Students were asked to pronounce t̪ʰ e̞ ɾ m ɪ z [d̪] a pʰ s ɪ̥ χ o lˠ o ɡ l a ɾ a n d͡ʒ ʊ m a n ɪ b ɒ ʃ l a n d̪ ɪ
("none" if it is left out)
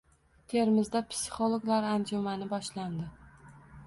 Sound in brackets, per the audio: d̪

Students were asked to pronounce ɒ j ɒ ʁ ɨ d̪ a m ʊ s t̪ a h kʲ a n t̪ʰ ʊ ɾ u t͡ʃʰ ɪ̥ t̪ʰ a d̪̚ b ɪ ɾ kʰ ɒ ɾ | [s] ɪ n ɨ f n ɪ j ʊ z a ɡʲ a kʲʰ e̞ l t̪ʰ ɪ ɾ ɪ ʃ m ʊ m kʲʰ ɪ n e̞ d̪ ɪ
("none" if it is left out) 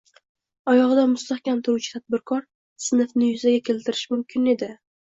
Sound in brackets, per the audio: s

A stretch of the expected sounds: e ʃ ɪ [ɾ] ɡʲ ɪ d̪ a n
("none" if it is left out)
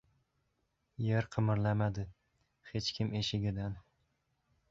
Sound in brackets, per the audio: none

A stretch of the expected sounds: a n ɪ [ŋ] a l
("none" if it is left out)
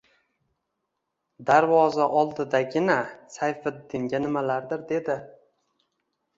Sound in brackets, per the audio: m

